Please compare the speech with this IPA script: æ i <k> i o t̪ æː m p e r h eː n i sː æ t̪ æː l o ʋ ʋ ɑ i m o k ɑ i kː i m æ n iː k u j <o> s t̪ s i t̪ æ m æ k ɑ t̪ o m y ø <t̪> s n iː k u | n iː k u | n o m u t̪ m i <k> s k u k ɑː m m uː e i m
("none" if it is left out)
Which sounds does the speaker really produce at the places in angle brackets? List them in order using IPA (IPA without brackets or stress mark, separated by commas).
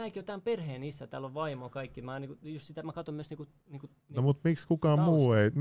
k, u, none, k